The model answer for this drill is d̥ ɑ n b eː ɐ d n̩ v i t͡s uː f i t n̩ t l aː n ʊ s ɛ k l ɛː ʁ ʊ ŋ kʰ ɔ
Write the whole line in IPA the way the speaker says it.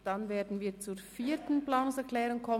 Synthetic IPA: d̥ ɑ n v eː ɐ d n̩ v iː t͡s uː f iː t n̩ p l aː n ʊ s ɛ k l ɛː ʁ ʊ ŋ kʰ ɔ